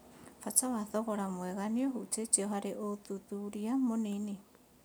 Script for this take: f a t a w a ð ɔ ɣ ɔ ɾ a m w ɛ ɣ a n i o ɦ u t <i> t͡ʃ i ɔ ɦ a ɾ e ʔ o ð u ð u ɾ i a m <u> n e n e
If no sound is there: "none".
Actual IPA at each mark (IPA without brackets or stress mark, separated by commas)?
e, o